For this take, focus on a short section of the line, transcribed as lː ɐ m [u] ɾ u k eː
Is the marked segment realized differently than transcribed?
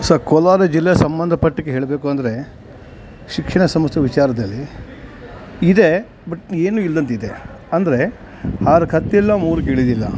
yes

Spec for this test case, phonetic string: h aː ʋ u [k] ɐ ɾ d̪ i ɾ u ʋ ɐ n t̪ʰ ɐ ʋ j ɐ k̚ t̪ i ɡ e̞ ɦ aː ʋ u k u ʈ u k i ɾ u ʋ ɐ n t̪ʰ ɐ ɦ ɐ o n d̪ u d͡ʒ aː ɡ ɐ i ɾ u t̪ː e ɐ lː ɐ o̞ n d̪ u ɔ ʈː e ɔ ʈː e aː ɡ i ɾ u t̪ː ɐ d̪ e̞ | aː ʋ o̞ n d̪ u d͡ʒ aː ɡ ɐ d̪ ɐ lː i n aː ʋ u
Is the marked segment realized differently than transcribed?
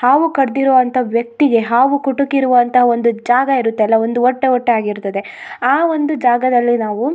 no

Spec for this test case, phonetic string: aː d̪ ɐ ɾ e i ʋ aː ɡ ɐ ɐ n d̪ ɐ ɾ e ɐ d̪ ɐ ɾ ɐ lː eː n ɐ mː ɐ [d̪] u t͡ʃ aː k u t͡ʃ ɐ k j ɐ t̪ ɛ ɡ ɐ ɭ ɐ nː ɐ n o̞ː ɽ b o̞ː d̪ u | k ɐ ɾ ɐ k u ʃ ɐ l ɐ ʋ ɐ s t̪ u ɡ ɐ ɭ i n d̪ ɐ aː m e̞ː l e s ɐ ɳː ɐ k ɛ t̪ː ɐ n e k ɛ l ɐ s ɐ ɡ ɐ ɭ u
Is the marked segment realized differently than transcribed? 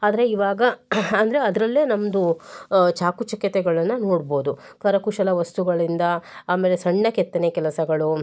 no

